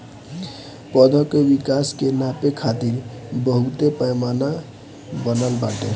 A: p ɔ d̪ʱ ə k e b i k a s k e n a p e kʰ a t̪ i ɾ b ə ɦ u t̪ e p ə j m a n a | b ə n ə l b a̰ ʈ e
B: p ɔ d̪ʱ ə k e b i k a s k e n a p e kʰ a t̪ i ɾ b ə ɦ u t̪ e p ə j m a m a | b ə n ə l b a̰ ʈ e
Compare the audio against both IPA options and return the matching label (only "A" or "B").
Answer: A